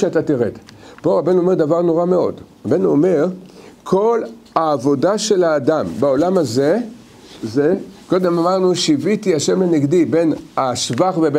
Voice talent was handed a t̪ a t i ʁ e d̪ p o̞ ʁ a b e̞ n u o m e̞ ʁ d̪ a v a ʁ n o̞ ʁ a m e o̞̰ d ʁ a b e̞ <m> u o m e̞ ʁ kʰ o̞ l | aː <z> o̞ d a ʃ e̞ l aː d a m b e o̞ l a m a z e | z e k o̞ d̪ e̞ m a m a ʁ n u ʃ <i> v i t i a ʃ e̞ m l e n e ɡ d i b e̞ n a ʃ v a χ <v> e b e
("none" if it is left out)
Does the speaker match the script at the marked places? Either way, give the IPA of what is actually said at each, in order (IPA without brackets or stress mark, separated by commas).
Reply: n, v, i, v